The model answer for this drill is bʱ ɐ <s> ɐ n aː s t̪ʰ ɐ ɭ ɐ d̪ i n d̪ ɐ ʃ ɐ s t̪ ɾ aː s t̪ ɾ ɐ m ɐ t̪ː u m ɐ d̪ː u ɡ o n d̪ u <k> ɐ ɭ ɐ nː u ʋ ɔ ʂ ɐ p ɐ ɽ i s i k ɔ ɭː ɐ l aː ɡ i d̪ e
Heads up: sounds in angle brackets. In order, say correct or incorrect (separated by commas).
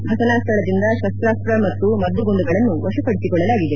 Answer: correct, incorrect